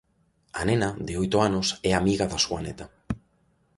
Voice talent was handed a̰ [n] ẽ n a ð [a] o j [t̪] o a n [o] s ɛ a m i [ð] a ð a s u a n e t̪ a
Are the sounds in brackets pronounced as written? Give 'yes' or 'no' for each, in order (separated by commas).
yes, no, yes, yes, no